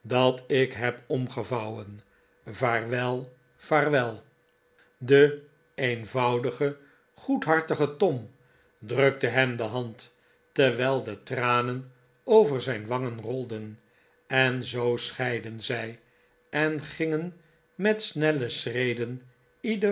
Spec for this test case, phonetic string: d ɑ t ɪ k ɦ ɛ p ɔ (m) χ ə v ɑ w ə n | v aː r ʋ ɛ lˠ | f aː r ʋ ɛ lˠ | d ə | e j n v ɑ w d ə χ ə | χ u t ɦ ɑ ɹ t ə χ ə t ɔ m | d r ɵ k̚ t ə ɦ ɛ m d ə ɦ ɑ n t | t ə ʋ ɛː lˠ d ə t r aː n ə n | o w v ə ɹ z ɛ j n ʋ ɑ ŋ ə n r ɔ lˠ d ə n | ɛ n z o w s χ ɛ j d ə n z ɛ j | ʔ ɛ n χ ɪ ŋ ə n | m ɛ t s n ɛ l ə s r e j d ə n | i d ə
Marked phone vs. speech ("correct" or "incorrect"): correct